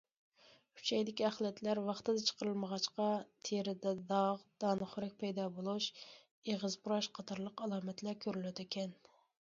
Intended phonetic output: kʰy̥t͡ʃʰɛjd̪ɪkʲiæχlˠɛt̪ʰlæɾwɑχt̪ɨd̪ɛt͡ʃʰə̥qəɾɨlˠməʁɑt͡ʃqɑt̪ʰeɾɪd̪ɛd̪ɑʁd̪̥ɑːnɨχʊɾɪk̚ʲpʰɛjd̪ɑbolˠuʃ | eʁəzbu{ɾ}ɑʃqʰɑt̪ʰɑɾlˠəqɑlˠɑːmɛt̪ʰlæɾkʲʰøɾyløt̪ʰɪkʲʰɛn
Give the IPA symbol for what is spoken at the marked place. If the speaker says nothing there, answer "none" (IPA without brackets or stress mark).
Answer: ɾ